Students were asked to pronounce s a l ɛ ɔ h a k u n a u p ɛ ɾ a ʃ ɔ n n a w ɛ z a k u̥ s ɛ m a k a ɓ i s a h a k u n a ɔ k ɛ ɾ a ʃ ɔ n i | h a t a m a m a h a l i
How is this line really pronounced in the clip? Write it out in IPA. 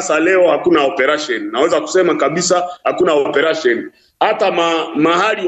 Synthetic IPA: s a l ɛ ɔ h a k u n a ɔ p ɛ ɾ a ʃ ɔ n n a w ɛ z a k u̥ s ɛ m a k a ɓ i s a h a k u n a ɔ p ɛ ɾ a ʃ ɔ n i | h a t a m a m a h a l i